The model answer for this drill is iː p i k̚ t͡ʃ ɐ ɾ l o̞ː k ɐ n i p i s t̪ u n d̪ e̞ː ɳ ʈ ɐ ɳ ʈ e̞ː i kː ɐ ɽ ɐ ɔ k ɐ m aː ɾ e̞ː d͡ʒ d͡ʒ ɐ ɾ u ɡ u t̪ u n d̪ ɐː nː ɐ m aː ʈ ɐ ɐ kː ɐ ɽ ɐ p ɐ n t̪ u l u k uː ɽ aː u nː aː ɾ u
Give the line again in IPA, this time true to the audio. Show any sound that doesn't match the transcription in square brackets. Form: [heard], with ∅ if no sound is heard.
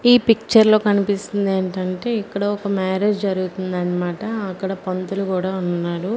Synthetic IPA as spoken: iː p i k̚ t͡ʃ ɐ ɾ l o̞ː k ɐ n i p i s t̪ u n d̪ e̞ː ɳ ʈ ɐ ɳ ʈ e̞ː i kː ɐ ɽ ɐ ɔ k ɐ m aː ɾ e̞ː d͡ʒ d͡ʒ ɐ ɾ u ɡ u t̪ u n d̪ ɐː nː ɐ m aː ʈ ɐ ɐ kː ɐ ɽ ɐ p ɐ n t̪ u l u k uː ɽ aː u nː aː ɾ u